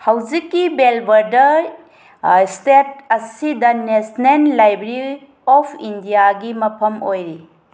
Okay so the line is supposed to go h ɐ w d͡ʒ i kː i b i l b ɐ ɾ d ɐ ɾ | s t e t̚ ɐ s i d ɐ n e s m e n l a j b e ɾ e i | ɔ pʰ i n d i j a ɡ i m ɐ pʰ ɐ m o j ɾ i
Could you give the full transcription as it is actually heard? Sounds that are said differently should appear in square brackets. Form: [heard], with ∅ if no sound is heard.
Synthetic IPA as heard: h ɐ w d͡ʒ i kː i b [e] l b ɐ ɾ d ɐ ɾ | s t e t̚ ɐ s i d ɐ n e s [n] e n l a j b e ɾ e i | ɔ pʰ i n d i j a ɡ i m ɐ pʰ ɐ m o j ɾ i